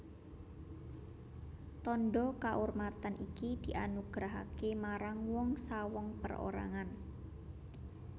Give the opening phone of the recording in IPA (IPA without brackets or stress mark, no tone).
t̪